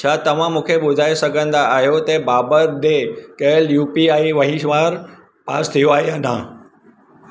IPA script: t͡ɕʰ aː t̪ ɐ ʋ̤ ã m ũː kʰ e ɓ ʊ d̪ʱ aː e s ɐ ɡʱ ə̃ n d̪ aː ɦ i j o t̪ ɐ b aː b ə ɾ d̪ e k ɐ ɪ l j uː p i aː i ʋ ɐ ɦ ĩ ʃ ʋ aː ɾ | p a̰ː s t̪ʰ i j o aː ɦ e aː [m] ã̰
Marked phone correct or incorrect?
incorrect: n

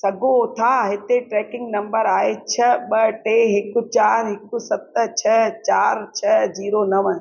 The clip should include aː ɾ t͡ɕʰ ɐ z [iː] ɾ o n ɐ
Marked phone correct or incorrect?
correct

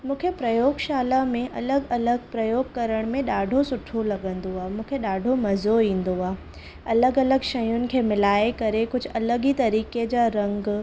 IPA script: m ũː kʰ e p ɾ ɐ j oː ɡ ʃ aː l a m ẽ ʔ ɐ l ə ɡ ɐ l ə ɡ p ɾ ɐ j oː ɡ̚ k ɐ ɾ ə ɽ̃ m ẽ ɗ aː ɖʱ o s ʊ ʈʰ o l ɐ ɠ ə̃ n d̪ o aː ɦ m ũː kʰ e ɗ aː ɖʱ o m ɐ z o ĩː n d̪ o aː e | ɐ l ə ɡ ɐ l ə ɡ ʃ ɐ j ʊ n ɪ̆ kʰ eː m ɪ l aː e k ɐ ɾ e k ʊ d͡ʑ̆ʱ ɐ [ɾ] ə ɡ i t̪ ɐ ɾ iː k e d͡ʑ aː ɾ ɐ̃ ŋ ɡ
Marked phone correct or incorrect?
incorrect: l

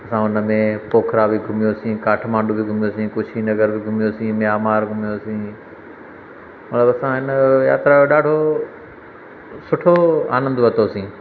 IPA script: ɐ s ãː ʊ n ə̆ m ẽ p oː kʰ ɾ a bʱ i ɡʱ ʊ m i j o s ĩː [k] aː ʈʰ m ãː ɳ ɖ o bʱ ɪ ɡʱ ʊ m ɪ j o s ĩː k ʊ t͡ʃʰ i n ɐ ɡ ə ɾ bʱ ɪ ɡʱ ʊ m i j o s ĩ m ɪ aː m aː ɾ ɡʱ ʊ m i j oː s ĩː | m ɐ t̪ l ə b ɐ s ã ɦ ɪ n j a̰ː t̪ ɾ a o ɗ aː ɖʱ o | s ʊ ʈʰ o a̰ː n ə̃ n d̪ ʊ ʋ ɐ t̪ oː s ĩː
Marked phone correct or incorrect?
correct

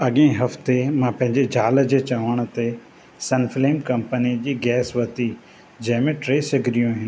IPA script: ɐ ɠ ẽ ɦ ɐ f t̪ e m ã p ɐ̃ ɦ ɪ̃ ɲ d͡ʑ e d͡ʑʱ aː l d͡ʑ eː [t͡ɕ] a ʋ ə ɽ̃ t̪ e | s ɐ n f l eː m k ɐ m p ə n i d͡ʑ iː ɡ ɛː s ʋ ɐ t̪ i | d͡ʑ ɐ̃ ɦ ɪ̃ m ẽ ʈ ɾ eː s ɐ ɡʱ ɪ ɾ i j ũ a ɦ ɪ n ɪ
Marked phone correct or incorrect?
correct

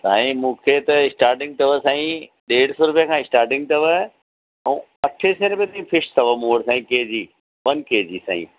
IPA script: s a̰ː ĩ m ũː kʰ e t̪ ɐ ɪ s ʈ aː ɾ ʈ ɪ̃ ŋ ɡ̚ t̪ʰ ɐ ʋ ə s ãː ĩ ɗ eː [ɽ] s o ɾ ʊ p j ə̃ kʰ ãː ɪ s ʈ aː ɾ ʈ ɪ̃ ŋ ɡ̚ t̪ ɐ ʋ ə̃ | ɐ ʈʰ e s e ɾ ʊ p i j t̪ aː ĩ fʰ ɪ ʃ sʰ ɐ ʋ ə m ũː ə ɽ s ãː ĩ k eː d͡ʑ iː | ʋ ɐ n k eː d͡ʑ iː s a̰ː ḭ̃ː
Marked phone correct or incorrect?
correct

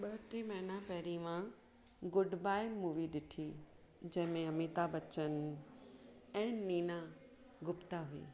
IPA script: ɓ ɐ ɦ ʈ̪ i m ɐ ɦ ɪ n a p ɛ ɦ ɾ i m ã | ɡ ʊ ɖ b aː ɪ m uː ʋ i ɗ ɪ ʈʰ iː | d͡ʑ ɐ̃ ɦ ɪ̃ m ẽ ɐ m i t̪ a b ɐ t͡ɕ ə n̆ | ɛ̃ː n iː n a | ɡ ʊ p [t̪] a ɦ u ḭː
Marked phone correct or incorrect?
correct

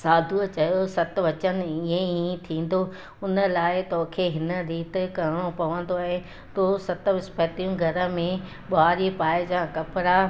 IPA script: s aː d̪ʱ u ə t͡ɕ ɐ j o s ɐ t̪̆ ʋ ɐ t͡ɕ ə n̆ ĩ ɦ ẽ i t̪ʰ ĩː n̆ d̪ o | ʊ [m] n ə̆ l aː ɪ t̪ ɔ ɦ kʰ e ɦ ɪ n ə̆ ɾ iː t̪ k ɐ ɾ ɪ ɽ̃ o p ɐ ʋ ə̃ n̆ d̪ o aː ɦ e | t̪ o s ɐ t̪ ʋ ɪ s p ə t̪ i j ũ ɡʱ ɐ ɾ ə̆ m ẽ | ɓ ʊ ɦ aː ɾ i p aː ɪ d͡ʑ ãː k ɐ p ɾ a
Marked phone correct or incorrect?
incorrect: none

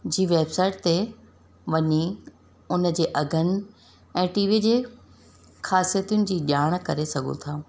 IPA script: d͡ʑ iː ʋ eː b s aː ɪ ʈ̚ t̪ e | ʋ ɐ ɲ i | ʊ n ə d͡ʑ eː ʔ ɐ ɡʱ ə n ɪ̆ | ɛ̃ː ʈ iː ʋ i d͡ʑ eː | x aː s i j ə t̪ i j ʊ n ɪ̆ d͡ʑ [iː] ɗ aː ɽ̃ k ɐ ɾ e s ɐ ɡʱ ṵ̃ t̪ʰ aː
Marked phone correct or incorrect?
correct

